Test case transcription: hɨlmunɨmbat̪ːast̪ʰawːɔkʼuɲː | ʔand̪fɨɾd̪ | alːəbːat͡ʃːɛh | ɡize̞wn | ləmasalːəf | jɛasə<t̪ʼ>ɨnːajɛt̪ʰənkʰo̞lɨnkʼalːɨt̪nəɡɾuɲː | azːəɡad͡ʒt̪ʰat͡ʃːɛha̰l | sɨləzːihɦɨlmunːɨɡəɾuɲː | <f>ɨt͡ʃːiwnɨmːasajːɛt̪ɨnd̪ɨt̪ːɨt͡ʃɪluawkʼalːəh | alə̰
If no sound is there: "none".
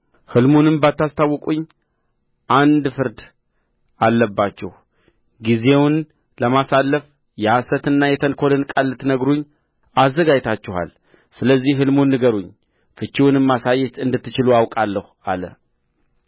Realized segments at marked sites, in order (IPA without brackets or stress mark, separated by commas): t̪, f